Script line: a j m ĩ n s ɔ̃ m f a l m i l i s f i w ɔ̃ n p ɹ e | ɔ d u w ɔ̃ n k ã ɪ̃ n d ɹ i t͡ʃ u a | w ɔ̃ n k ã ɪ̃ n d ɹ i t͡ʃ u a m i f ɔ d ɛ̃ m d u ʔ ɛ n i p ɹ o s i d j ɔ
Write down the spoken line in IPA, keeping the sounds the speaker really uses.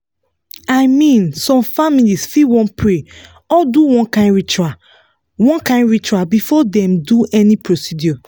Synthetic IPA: a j m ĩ n s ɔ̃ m f a m i l i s f i w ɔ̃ n p ɹ e | ɔ d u w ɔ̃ n k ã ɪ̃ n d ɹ i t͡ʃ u a | w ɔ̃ n k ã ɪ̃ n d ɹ i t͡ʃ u a b i f ɔ d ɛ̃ m d u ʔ ɛ n i p ɹ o s i d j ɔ